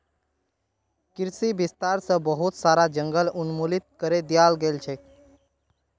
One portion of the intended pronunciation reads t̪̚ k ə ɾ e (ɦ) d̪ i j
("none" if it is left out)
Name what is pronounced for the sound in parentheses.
none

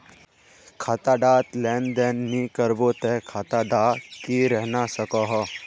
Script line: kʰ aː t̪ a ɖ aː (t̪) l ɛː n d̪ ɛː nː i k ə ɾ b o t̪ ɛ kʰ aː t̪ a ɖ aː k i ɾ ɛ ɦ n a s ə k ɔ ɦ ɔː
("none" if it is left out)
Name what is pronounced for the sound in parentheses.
t̪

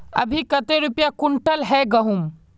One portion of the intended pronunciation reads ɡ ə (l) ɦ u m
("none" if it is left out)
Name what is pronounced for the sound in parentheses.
none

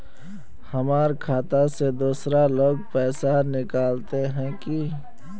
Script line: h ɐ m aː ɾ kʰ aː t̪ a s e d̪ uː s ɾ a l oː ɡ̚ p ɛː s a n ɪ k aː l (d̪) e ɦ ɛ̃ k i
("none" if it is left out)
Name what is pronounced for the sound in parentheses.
t̪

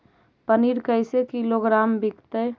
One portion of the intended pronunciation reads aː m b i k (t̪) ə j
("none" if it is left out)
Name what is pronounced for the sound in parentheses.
t̪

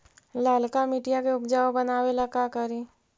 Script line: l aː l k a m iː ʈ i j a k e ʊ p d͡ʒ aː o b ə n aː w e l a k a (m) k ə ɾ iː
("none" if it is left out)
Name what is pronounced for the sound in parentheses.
none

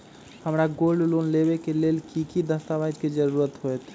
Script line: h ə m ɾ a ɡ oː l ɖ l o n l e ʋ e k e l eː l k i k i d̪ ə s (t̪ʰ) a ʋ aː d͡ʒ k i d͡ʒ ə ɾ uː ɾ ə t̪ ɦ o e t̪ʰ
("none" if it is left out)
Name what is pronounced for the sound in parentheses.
t̪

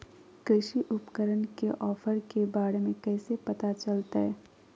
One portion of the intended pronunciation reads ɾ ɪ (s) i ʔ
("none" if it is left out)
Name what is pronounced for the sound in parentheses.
ʃ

